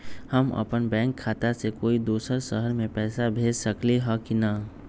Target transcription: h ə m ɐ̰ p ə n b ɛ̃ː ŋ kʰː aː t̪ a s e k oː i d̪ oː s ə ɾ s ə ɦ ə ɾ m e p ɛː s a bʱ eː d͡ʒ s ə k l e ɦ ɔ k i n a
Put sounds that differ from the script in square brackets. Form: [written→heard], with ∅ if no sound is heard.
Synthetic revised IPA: h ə m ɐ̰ p ə n b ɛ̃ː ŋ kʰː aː t̪ a s e k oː i d̪ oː s ə ɾ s ə ɦ ə ɾ m [e→ẽ] p ɛː s a bʱ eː d͡ʒ s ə k l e ɦ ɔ k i n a

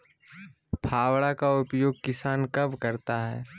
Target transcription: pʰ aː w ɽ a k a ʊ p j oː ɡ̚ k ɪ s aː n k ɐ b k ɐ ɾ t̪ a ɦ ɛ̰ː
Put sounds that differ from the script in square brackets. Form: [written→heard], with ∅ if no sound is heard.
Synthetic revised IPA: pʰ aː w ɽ a k a ʊ p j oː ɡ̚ k ɪ s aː n k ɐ b k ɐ ɾ t̪ a ɦ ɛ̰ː

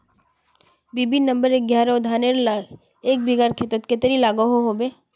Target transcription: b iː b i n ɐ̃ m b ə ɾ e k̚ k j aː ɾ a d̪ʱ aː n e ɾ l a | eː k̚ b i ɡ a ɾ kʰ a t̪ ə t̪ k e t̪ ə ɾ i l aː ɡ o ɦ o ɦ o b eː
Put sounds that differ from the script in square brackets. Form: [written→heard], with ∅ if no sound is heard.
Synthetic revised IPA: b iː b i n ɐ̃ m b ə ɾ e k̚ [k→ɡ] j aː ɾ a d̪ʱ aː n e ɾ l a | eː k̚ b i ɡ a ɾ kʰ [a→e] t̪ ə t̪ k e t̪ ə ɾ i l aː ɡ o ɦ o ɦ o b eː

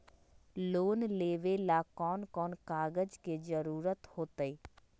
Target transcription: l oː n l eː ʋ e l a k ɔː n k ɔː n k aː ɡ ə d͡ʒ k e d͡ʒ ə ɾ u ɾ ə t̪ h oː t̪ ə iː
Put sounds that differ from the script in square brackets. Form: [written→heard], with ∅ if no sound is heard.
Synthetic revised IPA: l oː n l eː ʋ e l a k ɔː n k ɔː n k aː ɡ ə d͡ʒ k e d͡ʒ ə ɾ [u→uː] ɾ ə t̪ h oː t̪ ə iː

